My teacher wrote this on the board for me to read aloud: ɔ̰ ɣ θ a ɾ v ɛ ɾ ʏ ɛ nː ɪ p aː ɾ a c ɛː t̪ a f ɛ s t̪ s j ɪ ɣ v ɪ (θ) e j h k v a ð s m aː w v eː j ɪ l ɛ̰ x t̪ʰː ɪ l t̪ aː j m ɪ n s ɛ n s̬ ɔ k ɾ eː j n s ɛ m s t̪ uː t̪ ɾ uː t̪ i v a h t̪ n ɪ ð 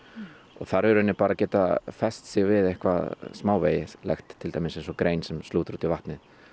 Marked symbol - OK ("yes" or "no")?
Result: no